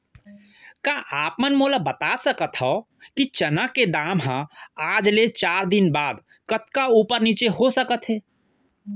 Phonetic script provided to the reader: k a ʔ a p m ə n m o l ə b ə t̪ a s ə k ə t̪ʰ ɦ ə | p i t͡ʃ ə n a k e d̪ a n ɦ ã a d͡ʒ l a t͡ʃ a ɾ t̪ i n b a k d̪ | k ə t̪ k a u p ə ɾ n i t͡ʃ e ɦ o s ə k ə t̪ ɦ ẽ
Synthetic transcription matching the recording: k a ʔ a p m ə n m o l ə b ə t̪ a s ə k ə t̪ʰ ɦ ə | k i t͡ʃ ə n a k e d̪ a m ɦ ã a d͡ʒ l e t͡ʃ a ɾ d̪ i n b a d̪ | k ə t̪ k a u p ə ɾ n i t͡ʃ e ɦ o s ə k ə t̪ ɦ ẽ